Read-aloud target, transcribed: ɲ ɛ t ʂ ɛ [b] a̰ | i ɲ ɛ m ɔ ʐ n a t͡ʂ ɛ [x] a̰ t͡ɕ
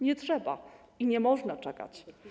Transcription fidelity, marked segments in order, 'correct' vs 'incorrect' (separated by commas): correct, incorrect